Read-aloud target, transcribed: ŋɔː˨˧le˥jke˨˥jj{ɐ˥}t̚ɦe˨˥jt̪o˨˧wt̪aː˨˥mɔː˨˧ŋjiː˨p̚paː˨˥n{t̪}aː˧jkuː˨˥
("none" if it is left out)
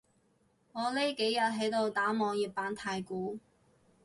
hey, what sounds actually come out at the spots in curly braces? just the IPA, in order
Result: ɐ˨, t̪ʰ

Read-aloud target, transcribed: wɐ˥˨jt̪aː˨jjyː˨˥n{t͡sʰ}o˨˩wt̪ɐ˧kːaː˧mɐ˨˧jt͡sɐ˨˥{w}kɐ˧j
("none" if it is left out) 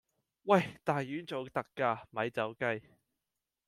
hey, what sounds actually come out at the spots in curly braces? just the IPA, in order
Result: t͡s, w

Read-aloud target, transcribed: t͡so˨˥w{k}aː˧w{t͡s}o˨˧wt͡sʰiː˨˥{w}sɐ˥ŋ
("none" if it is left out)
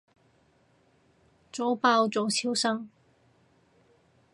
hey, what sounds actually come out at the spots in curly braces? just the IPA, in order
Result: p, t͡s, w

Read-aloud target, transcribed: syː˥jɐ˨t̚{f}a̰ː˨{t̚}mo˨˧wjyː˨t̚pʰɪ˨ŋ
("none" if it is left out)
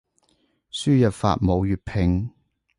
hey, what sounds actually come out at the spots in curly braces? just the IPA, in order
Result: f, t̚

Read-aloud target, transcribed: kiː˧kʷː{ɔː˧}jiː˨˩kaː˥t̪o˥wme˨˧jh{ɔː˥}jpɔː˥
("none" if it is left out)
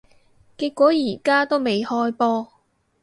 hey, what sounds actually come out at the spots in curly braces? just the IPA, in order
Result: ɔː˨˥, ɔː˥

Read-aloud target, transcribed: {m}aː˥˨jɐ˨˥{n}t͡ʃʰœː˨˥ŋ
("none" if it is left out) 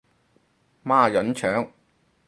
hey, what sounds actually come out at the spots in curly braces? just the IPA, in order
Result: m, n

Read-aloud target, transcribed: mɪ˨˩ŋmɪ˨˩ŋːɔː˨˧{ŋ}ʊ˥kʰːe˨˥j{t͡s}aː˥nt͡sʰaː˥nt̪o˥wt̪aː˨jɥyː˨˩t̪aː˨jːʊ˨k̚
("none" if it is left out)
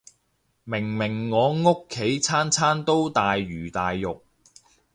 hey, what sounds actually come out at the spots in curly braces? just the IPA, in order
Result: ŋ, t͡sʰ

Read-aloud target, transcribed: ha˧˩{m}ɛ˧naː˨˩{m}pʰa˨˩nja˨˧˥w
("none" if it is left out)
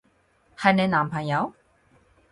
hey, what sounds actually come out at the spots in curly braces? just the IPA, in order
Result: n, m

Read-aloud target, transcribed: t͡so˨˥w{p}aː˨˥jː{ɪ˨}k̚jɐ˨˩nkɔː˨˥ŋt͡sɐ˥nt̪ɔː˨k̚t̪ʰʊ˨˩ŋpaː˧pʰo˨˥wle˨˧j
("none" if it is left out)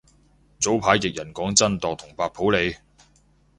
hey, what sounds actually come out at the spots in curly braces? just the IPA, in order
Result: pʰ, ɪ˨

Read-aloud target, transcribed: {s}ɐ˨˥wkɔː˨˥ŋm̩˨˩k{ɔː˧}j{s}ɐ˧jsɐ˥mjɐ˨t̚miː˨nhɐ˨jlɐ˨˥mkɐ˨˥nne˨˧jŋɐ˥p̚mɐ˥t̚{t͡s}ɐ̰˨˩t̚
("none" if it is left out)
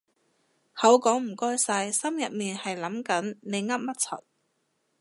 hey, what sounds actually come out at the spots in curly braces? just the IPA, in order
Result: h, ɔː˥, s, t͡sʰ

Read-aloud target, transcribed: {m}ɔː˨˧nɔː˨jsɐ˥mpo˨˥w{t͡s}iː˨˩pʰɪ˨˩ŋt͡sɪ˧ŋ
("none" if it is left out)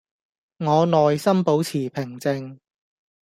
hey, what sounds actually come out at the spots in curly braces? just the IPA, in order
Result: ŋ, t͡sʰ

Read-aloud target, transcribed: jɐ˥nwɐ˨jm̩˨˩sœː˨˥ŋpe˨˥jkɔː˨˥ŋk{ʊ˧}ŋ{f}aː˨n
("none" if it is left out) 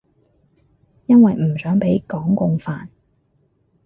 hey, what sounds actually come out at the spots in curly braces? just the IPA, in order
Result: ʊ˧, f

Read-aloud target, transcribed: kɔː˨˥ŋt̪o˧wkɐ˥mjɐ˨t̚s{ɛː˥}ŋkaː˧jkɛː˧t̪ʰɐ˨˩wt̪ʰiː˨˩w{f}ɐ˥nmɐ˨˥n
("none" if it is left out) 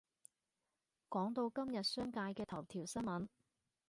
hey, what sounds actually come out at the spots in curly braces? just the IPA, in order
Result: œː˥, s

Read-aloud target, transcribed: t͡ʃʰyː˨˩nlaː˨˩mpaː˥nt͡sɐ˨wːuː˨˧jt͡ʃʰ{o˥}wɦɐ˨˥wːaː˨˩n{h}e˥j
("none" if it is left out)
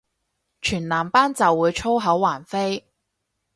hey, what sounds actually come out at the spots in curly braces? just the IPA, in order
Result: o˥, f

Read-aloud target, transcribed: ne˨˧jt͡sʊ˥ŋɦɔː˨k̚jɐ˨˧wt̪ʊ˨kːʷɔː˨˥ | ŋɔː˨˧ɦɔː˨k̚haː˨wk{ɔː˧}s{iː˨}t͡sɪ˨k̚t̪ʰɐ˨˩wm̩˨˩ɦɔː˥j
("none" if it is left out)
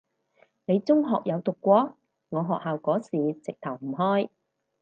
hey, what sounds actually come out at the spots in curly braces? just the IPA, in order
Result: ɔː˨˥, iː˨

